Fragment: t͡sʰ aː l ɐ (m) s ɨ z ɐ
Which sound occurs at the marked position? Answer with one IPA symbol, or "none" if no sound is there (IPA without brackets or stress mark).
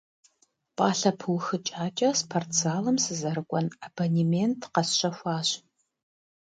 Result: m